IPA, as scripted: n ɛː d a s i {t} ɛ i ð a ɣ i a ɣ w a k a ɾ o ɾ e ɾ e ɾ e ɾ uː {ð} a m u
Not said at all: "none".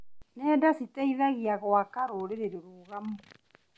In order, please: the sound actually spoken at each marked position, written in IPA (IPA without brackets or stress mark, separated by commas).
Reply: t, ɣ